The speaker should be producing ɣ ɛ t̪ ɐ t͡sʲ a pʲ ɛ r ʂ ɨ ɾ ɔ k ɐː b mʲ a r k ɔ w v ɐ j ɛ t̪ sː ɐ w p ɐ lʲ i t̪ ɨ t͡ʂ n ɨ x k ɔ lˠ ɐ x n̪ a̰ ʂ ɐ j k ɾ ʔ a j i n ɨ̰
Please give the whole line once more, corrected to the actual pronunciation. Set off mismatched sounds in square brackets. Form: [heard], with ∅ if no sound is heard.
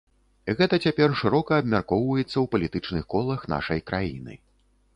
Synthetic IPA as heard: ɣ ɛ t̪ ɐ t͡sʲ a pʲ ɛ r ʂ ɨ ɾ ɔ k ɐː b mʲ a r k ɔ w v ɐ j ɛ t̪ sː ɐ w p ɐ lʲ i t̪ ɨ t͡ʂ n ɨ x k ɔ lˠ ɐ x n̪ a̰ ʂ ɐ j k ɾ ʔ a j i n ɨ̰

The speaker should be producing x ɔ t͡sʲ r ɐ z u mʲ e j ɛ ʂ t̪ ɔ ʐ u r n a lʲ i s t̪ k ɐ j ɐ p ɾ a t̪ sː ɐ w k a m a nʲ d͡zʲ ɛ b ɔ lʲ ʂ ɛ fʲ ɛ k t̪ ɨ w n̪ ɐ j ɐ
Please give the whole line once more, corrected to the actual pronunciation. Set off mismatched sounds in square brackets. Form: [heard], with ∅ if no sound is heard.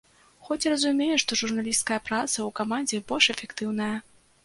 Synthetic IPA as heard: x ɔ t͡sʲ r ɐ z u mʲ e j ɛ ʂ t̪ ɔ ʐ u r n a lʲ i s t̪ k ɐ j ɐ p ɾ a t̪ [s] ɐ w k a m a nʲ d͡zʲ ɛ b ɔ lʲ ʂ ɛ fʲ ɛ k t̪ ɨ w n̪ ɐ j ɐ

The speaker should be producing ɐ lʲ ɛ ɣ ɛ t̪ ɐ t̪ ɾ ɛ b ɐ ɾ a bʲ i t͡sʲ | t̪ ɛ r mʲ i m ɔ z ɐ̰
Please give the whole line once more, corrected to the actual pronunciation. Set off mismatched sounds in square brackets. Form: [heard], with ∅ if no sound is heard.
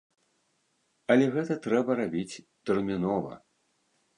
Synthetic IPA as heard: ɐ lʲ ɛ ɣ ɛ t̪ ɐ t̪ ɾ ɛ b ɐ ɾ a bʲ i t͡sʲ | t̪ ɛ r mʲ i [n] ɔ [v] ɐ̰

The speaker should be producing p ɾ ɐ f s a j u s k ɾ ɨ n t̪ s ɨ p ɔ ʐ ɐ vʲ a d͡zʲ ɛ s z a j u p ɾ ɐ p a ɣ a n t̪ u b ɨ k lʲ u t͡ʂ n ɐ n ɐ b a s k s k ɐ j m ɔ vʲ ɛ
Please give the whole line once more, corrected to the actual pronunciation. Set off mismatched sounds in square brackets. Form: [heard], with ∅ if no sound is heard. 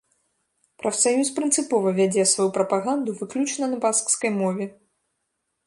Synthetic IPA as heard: p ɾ ɐ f s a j u s [p] ɾ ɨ n t̪ s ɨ p ɔ [v] ɐ vʲ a d͡zʲ ɛ s [v] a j u p ɾ ɐ p a ɣ a n [d̪] u [v] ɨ k lʲ u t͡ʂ n ɐ n ɐ b a s k s k ɐ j m ɔ vʲ ɛ

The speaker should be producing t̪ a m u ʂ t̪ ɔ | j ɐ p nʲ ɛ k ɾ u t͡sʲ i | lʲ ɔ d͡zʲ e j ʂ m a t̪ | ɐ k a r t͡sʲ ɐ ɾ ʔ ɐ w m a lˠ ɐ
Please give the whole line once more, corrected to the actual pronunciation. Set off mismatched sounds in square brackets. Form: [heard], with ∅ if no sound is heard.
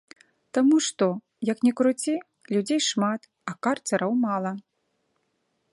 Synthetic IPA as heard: t̪ a m u ʂ t̪ ɔ | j ɐ [k] nʲ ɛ k ɾ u t͡sʲ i | lʲ [u] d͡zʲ e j ʂ m a t̪ | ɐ k a r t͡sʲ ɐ ɾ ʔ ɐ w m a lˠ ɐ

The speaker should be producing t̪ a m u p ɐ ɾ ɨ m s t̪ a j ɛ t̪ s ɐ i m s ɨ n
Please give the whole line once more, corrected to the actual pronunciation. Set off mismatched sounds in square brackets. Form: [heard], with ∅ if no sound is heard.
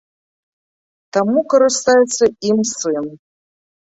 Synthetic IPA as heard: t̪ a m u [k] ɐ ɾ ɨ [∅] s t̪ a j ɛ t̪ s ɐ i m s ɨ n

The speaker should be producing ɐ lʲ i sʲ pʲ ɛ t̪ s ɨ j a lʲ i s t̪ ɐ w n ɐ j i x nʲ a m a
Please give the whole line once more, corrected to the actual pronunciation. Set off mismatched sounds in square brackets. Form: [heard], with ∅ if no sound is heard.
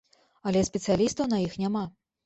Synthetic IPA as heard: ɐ lʲ [ɛ] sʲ pʲ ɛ t̪ s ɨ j a lʲ i s t̪ ɐ w n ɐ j i x nʲ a m a

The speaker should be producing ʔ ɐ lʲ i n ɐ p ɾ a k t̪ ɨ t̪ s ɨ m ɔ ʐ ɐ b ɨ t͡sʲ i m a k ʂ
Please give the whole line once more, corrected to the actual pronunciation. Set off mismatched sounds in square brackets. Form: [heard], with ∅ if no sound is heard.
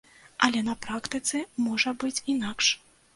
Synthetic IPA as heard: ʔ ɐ lʲ [ɛ] n ɐ p ɾ a k t̪ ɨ t̪ s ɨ m ɔ ʐ ɐ b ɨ t͡sʲ i [n] a k ʂ

